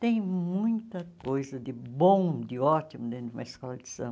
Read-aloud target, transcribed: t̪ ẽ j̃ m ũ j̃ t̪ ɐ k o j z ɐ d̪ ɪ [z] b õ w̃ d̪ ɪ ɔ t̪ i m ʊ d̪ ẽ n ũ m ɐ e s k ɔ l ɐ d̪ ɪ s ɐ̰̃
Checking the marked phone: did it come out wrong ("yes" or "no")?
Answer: yes